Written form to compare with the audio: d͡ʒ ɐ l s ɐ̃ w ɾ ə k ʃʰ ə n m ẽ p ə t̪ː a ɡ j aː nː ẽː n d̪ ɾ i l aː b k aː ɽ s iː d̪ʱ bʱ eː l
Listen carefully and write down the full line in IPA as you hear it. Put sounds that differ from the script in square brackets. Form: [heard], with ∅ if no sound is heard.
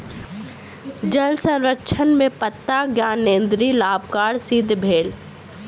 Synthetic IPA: d͡ʒ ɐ l s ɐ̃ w ɾ ə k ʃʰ ə n m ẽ p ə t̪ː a ɡ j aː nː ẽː n d̪ ɾ i l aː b k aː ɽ s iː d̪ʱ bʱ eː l